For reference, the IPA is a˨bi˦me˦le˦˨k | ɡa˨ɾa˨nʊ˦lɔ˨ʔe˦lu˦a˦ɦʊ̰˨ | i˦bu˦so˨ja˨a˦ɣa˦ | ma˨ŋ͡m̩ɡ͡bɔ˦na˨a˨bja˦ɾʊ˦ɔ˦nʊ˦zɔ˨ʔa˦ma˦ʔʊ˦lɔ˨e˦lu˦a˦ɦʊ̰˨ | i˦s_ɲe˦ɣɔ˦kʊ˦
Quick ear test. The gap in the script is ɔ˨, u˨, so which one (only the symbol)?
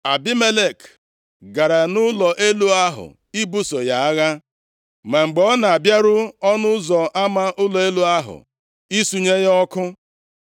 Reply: u˨